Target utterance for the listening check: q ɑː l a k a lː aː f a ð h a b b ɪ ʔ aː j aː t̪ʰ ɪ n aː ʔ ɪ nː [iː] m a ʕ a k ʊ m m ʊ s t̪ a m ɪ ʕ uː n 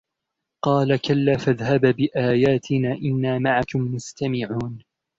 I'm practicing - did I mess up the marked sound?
yes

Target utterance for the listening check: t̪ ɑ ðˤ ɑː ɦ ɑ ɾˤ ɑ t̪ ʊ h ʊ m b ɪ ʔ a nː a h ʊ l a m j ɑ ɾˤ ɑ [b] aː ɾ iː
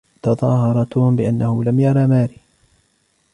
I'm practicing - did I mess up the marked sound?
yes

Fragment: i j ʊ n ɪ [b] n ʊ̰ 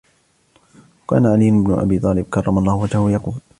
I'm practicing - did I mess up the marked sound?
no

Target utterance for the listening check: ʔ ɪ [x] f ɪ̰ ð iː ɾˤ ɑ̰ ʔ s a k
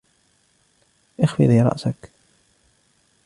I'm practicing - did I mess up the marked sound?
no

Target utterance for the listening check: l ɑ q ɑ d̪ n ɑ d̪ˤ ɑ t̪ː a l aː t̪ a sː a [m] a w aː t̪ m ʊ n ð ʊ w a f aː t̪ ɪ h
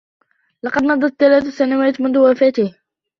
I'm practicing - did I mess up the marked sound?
yes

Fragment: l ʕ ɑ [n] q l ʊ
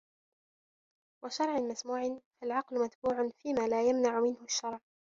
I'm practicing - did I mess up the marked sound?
yes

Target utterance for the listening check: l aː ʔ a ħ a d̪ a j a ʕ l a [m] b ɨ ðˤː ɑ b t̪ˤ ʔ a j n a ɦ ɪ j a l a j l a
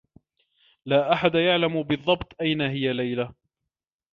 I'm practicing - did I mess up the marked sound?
no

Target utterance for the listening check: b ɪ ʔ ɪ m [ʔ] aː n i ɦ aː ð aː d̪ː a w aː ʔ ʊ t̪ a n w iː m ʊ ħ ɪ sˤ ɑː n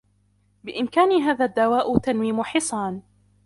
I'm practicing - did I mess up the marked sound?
yes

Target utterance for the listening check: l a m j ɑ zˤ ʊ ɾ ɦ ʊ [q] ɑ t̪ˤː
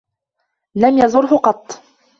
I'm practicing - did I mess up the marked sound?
no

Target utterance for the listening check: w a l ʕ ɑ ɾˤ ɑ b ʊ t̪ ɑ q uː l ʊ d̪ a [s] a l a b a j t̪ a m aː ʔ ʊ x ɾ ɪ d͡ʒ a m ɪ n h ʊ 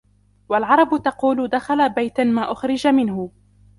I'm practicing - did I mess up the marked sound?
yes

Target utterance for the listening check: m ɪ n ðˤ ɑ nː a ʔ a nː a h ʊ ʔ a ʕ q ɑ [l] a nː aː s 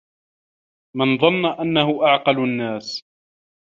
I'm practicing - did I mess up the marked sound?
no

